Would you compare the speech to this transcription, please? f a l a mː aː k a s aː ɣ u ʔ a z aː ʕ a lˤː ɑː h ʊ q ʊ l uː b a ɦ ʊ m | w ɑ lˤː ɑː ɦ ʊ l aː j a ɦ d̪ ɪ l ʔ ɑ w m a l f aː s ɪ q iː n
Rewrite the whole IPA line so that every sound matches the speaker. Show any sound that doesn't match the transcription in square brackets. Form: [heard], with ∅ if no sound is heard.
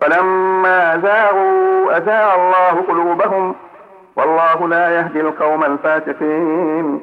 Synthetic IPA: f a l a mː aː [ʔ] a [z] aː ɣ u ʔ a z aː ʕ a lˤː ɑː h ʊ q ʊ l uː b a ɦ ʊ m | w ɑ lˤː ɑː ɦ ʊ l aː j a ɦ d̪ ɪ l [q] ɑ w m a l f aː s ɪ q iː n